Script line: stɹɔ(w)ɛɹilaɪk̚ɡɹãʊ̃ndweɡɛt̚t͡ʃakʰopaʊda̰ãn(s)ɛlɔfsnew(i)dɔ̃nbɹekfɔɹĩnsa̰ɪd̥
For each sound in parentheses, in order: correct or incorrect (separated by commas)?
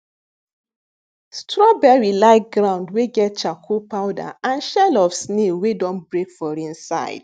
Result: incorrect, incorrect, incorrect